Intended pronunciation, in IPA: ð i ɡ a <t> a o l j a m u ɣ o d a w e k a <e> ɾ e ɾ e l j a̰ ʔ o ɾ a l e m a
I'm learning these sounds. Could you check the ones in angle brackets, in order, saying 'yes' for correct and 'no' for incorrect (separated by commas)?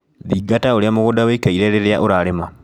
yes, no